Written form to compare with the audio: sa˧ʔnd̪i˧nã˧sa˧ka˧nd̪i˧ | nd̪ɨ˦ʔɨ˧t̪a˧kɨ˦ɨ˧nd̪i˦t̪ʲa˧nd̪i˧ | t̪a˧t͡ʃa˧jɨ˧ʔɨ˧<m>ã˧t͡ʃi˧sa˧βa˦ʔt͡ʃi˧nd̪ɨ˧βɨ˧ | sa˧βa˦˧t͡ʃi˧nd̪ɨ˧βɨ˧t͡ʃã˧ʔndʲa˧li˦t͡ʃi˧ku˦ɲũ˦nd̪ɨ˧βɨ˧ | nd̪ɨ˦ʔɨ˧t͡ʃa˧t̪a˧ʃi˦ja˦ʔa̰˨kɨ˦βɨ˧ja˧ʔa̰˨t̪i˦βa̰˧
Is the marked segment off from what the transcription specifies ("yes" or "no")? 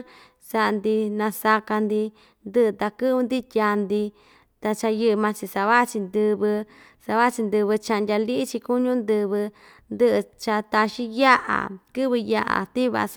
no